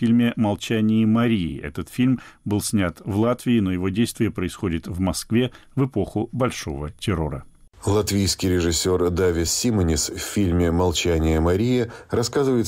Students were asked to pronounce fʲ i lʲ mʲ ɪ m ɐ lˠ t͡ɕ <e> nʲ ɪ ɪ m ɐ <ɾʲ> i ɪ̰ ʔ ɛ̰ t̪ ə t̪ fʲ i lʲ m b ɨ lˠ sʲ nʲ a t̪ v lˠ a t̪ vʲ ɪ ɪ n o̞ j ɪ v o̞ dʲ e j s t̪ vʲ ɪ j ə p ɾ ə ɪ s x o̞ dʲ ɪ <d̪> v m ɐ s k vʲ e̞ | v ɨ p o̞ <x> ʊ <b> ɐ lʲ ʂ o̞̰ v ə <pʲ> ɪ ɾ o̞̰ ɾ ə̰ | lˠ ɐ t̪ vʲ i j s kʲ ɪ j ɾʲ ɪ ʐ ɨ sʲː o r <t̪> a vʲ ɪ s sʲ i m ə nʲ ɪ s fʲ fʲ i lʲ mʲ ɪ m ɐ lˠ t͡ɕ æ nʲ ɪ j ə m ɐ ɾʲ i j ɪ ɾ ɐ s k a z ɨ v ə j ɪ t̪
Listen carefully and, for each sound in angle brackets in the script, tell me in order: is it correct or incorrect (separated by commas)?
incorrect, correct, incorrect, correct, correct, incorrect, incorrect